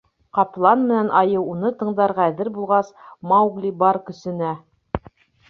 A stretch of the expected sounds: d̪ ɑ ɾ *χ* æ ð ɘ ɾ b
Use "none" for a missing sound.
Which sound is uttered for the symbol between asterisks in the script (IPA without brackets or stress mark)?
ʁ